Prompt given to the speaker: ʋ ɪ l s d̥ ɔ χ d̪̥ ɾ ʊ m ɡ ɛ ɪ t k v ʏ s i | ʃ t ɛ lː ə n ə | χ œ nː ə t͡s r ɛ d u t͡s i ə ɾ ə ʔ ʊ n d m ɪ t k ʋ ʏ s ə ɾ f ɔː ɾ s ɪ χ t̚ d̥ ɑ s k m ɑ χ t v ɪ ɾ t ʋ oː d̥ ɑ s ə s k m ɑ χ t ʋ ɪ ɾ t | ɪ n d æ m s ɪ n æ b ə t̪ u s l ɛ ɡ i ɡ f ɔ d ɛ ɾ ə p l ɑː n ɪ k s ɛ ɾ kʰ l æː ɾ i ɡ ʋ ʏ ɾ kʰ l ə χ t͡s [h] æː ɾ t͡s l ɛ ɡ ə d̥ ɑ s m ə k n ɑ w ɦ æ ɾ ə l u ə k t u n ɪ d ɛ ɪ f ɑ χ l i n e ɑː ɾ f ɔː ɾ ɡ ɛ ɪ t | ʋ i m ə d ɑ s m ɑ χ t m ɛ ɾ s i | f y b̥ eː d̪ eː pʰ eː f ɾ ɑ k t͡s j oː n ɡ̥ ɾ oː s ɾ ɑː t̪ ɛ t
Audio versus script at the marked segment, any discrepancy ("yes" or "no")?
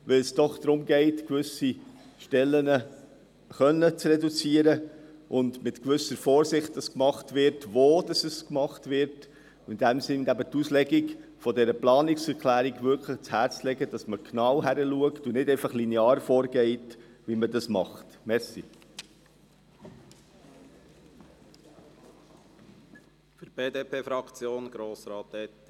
no